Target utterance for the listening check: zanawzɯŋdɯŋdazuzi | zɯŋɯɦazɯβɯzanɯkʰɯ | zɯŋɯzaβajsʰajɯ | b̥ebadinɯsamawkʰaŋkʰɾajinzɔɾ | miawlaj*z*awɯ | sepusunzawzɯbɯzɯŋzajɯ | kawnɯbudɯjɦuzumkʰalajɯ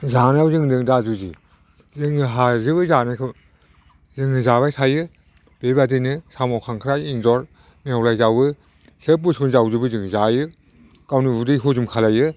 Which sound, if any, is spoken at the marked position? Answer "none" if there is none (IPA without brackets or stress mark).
z